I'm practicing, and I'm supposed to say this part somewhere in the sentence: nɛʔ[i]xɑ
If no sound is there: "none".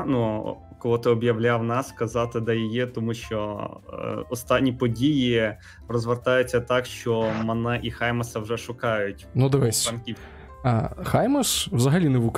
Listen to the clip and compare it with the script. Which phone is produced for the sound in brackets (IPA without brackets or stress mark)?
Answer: i